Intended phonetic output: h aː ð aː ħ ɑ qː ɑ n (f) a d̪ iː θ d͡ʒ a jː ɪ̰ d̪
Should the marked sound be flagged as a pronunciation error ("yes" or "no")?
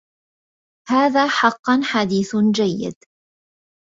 yes